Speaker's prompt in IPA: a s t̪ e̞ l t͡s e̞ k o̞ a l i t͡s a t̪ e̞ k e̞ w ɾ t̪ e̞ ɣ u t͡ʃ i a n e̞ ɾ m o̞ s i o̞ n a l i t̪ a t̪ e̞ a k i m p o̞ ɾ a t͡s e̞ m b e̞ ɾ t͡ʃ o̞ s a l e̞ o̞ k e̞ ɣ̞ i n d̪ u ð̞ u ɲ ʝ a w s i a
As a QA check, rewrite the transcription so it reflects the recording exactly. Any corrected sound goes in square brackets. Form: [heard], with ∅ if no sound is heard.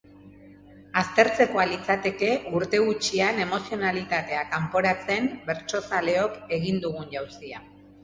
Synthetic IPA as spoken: a s t̪ e̞ [ɾ] t͡s e̞ k o̞ a l i t͡s a t̪ e̞ k e̞ [u] ɾ t̪ e̞ ɣ u t͡ʃ i a n e̞ [∅] m o̞ s i o̞ n a l i t̪ a t̪ e̞ a k [a] m p o̞ ɾ a t͡s e̞ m b e̞ ɾ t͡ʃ o̞ s a l e̞ o̞ k e̞ ɣ̞ i n d̪ u [ɣ̞] u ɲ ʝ a w s i a

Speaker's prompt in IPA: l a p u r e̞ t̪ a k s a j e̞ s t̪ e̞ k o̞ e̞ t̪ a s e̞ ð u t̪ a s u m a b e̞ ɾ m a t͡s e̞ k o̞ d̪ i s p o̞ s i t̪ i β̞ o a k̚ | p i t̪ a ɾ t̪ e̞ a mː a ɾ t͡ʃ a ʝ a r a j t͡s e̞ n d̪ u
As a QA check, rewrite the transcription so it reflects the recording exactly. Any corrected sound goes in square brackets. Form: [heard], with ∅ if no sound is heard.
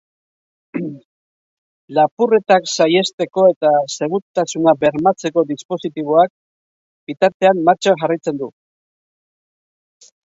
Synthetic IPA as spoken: l a p u r e̞ t̪ a k s a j e̞ s t̪ e̞ k o̞ e̞ t̪ a s e̞ [ɣ] u t̪ a s u [n] a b e̞ ɾ m a t͡s e̞ k o̞ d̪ i s p o̞ s i t̪ i β̞ o a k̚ | [b] i t̪ a ɾ t̪ e̞ a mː a ɾ t͡ʃ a ʝ a r a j t͡s e̞ n d̪ u

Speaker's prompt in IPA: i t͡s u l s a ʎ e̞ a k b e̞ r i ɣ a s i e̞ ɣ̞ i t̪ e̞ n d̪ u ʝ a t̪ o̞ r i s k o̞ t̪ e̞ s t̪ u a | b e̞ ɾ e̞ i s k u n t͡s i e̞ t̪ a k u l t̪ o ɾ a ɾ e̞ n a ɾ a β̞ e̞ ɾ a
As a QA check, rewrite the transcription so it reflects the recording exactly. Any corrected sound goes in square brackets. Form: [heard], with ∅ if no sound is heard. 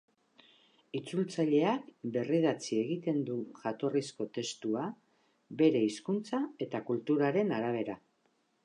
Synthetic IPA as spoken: i t͡s u l [t͡s] a ʎ e̞ a k b e̞ r i [ð] a [t͡s] i e̞ ɣ̞ i t̪ e̞ n d̪ u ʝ a t̪ o̞ r i s k o̞ t̪ e̞ s t̪ u a | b e̞ ɾ e̞ i s k u n t͡s [a] e̞ t̪ a k u l t̪ [u] ɾ a ɾ e̞ n a ɾ a β̞ e̞ ɾ a

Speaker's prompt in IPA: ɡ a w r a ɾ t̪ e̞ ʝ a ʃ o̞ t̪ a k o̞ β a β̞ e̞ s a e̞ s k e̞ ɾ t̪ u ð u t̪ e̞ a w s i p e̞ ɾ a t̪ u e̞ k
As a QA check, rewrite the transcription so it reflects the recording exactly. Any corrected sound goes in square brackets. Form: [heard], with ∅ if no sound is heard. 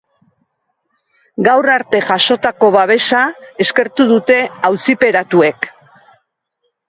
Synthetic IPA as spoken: ɡ a w r a ɾ t̪ e̞ ʝ a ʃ o̞ t̪ a k o̞ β a β̞ e̞ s a e̞ s k e̞ ɾ t̪ u ð u t̪ e̞ a w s i p e̞ ɾ a t̪ u e̞ k

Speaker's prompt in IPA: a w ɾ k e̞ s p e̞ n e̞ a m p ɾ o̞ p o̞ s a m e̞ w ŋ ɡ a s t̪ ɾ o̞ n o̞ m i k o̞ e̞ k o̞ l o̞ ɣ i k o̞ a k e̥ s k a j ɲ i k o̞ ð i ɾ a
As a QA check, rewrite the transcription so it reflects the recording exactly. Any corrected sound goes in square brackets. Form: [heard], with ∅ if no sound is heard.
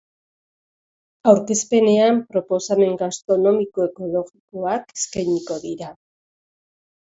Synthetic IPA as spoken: a w ɾ k e̞ s p e̞ n e̞ a m p ɾ o̞ p o̞ s a m e̞ [∅] ŋ ɡ a s t̪ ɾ o̞ n o̞ m i k o̞ e̞ k o̞ l o̞ ɣ i k o̞ a k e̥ s k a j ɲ i k o̞ ð i ɾ a

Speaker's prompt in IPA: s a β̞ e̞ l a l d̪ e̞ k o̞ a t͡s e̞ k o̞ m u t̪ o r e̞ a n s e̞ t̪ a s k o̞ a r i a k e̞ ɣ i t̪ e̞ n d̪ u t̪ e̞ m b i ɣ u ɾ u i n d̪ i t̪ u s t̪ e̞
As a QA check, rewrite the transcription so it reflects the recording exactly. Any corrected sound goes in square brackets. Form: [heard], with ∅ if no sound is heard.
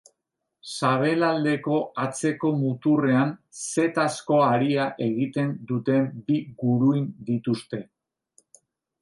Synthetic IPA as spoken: s a β̞ e̞ l a l d̪ e̞ k o̞ a t͡s e̞ k o̞ m u t̪ [u] r e̞ a n s e̞ t̪ a s k o̞ a [ɾ] i a [ʔ] e̞ ɣ i t̪ e̞ n d̪ u t̪ e̞ m b i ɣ u ɾ u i n d̪ i t̪ u s t̪ e̞

